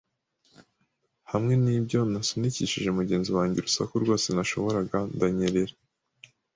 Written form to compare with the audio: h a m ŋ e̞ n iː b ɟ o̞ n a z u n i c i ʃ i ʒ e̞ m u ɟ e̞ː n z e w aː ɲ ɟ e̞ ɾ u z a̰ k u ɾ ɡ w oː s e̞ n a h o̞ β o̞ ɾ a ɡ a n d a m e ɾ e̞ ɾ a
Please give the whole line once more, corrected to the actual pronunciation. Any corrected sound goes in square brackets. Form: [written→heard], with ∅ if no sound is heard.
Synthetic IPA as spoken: h a m ŋ e̞ n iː b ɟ o̞ n a [z→s] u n i c i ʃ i ʒ e̞ m u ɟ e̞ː n z [e→i] w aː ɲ ɟ e̞ ɾ u [z→s] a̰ k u ɾ ɡ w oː s e̞ n a [h→ʃ] o̞ β o̞ ɾ a ɡ a n d a [m→ɲ] e ɾ e̞ ɾ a